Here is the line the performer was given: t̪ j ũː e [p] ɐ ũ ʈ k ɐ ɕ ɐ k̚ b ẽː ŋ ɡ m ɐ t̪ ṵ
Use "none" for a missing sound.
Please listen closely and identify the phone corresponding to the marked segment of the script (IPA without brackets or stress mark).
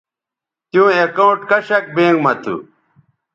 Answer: k